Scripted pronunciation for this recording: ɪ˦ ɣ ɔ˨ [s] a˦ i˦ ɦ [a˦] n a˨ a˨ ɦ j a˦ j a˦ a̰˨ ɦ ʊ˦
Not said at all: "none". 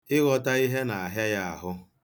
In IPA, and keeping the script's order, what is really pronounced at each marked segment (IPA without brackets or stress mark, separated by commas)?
t, e˦